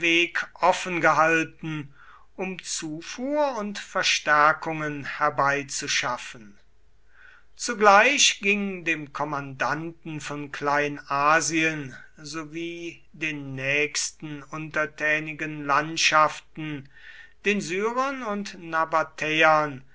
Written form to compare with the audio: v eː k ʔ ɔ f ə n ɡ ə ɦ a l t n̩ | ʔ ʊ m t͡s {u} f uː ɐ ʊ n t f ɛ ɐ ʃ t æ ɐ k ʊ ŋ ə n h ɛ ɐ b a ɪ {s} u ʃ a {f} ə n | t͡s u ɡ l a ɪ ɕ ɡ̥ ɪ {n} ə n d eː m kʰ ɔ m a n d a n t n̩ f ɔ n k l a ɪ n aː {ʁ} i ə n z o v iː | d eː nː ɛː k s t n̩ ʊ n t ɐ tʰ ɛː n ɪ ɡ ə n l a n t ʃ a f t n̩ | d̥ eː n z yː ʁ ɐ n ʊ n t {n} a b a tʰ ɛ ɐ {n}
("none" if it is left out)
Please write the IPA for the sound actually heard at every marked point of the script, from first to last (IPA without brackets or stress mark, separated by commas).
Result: uː, t͡s, f, ŋ, z, n, n